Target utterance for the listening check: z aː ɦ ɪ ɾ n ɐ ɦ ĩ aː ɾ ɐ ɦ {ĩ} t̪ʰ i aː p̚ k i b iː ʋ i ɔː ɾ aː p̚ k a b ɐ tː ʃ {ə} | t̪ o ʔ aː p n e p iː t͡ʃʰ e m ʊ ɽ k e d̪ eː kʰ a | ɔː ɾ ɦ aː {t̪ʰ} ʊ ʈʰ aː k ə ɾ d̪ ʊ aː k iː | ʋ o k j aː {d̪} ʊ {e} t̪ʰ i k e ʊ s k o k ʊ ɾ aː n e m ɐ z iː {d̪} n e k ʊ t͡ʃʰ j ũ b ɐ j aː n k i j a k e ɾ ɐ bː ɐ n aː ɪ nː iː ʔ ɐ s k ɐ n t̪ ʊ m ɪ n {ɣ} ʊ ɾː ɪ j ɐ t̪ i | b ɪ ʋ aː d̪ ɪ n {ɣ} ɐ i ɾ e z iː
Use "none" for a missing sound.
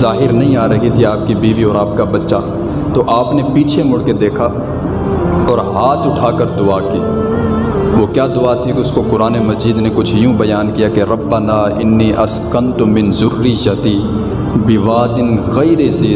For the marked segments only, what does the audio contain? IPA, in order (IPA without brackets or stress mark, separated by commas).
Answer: i, a, t̪, d̪, a, d̪, z, ɣ